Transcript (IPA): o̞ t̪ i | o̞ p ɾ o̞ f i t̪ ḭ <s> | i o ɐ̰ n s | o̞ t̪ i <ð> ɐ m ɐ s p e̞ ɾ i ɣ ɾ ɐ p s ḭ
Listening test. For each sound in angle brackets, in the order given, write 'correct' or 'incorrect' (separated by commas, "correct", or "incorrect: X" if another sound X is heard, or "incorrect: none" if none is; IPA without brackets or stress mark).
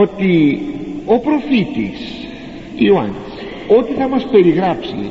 correct, incorrect: θ